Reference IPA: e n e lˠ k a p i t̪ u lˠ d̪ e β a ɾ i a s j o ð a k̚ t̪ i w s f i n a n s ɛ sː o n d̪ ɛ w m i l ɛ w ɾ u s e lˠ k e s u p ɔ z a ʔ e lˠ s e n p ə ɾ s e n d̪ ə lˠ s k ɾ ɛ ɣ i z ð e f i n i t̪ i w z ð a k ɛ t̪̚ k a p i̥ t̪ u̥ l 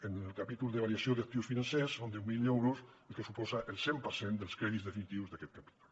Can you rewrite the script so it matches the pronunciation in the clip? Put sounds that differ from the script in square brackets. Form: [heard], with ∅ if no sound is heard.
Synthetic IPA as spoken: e n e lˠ k a p i t̪ u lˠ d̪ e β a ɾ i a s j o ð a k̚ t̪ i w s f i n a n s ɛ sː o n d̪ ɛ w m i l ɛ w ɾ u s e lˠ k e s u p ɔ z a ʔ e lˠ s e [m] p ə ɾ s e n d̪ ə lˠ s k ɾ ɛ [ð] i z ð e f i n i t̪ i w z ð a k ɛ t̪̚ k a p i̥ t̪ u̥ l